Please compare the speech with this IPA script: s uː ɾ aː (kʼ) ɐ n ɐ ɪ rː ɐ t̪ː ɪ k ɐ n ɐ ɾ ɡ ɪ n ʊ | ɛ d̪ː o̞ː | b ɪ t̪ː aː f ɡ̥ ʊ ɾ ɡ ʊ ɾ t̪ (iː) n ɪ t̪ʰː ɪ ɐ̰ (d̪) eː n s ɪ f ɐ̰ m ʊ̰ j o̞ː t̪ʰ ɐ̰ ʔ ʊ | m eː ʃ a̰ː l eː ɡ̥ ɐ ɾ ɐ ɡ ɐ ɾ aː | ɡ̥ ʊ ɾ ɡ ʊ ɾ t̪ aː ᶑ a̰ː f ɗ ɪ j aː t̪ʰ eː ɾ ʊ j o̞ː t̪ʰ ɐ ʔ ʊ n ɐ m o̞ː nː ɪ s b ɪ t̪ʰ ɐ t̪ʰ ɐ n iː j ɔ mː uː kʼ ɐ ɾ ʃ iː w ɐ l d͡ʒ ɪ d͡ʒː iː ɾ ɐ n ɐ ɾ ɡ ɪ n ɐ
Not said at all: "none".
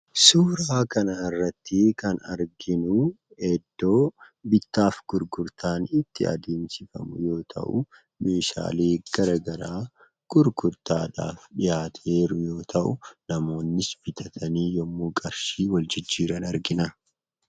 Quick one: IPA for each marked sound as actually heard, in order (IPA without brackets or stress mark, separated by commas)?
k, aː, d̪